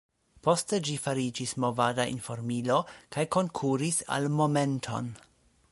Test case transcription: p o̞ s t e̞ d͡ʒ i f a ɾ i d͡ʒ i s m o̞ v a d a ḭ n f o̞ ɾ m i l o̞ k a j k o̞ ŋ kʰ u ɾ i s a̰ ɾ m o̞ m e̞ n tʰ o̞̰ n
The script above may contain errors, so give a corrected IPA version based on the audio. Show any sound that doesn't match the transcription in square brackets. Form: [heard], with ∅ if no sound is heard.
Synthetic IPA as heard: p o̞ s t e̞ d͡ʒ i f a ɾ i d͡ʒ i s m o̞ v a d a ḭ n f o̞ ɾ m i l o̞ k a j k o̞ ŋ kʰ u ɾ i s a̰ [l] m o̞ m e̞ n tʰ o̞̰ n

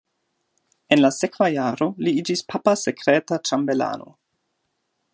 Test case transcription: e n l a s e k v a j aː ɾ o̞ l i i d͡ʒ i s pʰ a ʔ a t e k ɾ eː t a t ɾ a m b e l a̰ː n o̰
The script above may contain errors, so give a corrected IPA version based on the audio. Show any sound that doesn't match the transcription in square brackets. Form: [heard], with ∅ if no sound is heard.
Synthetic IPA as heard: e n l a s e k v a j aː ɾ o̞ l i i d͡ʒ i s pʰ a [p] a [s] e k ɾ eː t a t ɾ a m b e l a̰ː n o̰

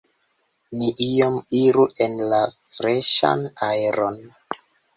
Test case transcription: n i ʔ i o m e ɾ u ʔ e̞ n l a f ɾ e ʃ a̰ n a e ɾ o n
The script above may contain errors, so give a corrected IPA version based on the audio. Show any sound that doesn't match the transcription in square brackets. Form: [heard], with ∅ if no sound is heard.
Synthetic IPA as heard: n i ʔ i o m [i] ɾ u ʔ e̞ n l a f ɾ e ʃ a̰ n a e ɾ o n

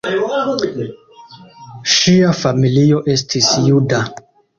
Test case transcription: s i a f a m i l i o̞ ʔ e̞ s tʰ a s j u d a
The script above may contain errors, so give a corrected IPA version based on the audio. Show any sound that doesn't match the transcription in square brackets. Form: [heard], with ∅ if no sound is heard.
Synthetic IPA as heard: [ʃ] i a f a m i l i o̞ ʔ e̞ s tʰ [i] s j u d a

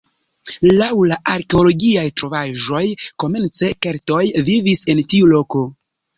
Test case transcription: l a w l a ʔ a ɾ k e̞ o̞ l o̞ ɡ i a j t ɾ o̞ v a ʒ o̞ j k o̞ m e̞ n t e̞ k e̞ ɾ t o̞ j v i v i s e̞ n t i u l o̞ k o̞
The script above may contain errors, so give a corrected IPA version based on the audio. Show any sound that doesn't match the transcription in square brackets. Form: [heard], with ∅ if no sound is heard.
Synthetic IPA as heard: l a w l a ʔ a ɾ k e̞ o̞ l o̞ ɡ i a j t ɾ o̞ v a ʒ o̞ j k o̞ m e̞ n [t͡s] e̞ k e̞ ɾ t o̞ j v i v i s e̞ n t i u l o̞ k o̞

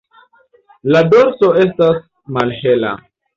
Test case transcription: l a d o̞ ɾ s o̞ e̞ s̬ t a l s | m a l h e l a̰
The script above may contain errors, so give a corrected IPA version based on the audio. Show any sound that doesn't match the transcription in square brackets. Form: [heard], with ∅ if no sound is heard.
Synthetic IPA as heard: l a d o̞ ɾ s o̞ e̞ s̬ t a [∅] s | m a l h e l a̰

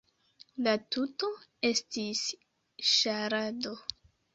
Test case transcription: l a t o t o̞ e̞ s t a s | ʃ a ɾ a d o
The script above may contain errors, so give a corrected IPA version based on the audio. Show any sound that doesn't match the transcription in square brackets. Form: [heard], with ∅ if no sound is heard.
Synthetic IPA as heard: l a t [u] t o̞ e̞ s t [i] s | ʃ a ɾ a d o

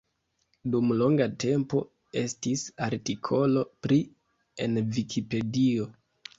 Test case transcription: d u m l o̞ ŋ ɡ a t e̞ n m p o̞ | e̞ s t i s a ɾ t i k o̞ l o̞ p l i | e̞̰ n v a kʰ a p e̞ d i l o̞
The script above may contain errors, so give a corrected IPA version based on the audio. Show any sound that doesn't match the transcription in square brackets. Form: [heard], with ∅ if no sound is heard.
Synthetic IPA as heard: d u m l o̞ ŋ ɡ a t e̞ [∅] m p o̞ | e̞ s t i s a ɾ t i [kʰ] o̞ l o̞ p [ɾ] i | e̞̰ n v [i] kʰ [i] p e̞ d i [∅] o̞

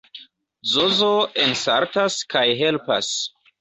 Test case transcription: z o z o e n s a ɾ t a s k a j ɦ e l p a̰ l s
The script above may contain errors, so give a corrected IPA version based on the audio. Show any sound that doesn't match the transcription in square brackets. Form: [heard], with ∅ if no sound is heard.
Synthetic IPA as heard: z o z o e n s a ɾ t a s k a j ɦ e l p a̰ [∅] s

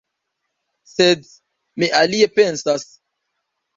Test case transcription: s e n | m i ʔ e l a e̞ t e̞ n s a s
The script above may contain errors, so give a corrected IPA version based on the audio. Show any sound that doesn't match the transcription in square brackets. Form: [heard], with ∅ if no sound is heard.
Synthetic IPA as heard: s e [d] | m i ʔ [a] l [i] e̞ [p] e̞ n s a s

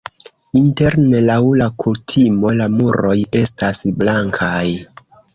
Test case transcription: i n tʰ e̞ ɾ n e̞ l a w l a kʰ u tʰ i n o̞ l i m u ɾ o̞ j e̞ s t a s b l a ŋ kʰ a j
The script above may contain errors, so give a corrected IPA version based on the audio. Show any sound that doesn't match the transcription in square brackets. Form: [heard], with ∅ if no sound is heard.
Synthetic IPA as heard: i n [t] e̞ ɾ n e̞ l a w l a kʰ u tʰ i [m] o̞ l [a] m u ɾ o̞ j e̞ s t a s b l a ŋ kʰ a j

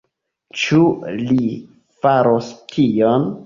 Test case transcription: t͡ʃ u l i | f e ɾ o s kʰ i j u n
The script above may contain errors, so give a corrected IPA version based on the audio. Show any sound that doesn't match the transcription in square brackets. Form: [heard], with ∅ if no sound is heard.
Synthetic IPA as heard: t͡ʃ u l i | f [a] ɾ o s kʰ i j [o] n

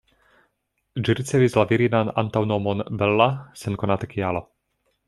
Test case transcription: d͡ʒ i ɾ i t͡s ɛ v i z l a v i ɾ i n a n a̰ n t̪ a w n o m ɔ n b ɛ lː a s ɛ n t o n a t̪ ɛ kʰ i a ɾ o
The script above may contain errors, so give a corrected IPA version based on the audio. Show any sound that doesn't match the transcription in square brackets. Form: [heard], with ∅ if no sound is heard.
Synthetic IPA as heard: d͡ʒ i ɾ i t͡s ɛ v i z l a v i ɾ i n a n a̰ n t̪ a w n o m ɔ n b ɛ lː a s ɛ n [k] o n a t̪ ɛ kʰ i a [l] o

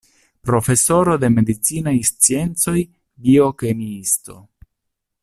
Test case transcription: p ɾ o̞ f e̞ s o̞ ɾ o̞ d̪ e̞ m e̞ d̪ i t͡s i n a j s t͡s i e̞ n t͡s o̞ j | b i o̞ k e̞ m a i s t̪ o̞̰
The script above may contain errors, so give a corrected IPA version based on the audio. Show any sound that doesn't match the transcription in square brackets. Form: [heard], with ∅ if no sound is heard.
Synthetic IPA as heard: p ɾ o̞ f e̞ s o̞ ɾ o̞ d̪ e̞ m e̞ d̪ i t͡s i n a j s t͡s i e̞ n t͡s o̞ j | b i o̞ k e̞ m [i] i s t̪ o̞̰

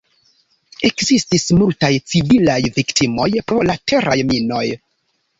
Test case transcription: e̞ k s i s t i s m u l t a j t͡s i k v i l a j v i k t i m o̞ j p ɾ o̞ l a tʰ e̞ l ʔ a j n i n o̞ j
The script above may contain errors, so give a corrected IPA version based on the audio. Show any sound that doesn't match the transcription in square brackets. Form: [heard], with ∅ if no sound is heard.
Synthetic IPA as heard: e̞ k [z] i s t i s m u l t a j t͡s i [∅] v i l a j v i k t i m o̞ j p ɾ o̞ l a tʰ e̞ [ɾ] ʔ a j [m] i n o̞ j

